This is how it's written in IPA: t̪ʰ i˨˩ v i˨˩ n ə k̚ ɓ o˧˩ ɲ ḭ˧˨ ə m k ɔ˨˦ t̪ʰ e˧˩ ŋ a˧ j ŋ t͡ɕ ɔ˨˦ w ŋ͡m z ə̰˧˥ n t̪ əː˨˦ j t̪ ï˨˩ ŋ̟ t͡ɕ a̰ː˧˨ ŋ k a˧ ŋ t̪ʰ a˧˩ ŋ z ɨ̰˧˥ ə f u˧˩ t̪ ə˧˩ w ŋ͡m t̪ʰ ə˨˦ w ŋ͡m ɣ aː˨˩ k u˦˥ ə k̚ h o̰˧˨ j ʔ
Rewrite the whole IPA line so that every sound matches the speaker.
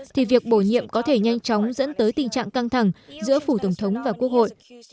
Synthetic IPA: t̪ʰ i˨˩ v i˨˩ ə k̚ ɓ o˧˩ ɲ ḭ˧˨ ə m k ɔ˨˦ t̪ʰ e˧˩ ɲ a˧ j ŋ t͡ɕ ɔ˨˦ w ŋ͡m z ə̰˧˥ n t̪ əː˨˦ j t̪ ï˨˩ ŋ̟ t͡ɕ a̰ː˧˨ ŋ k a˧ ŋ t̪ʰ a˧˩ ŋ z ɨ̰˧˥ ə f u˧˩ t̪ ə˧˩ w ŋ͡m t̪ʰ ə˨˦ w ŋ͡m v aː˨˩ k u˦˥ ə k̚ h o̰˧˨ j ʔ